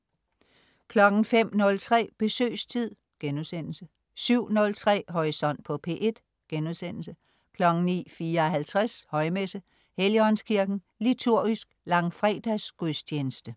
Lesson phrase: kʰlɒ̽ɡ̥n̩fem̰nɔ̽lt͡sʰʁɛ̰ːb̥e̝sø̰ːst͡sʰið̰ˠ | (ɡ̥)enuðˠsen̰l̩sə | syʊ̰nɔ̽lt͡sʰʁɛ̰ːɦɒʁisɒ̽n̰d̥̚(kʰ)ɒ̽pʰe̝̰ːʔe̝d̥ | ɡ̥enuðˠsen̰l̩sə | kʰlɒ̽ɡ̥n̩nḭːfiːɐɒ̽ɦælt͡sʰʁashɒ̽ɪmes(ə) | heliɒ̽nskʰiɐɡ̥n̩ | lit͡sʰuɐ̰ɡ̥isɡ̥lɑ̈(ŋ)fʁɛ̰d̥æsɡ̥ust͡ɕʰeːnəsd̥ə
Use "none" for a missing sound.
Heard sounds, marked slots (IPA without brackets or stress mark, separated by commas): ɡ̥, pʰ, ə, ŋ